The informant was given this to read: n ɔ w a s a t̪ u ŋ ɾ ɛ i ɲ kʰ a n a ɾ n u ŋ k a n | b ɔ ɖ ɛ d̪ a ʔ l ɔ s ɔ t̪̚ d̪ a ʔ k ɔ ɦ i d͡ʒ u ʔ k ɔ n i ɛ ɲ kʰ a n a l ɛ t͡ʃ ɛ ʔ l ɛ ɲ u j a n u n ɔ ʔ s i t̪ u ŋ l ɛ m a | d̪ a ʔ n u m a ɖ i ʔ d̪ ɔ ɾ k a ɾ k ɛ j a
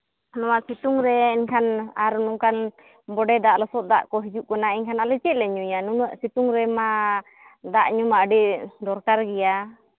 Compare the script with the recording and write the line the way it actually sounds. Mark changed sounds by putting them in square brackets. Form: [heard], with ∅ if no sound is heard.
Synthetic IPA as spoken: n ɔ w a s [i] t̪ u ŋ ɾ ɛ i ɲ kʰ a n a ɾ n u ŋ k a n | b ɔ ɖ ɛ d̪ a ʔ l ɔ s ɔ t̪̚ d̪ a ʔ k ɔ ɦ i d͡ʒ u ʔ k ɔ n [a] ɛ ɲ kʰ a n a l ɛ t͡ʃ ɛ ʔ l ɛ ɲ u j a n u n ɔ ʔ s i t̪ u ŋ [ɾ] ɛ m a | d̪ a ʔ [ɲ] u m a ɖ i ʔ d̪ ɔ ɾ k a ɾ [ɡ] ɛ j a